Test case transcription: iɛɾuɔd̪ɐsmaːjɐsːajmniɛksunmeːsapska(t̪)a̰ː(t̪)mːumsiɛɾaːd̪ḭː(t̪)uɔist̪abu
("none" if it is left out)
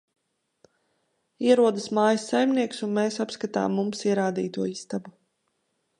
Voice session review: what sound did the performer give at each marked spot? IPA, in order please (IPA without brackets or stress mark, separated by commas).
t̪, none, t̪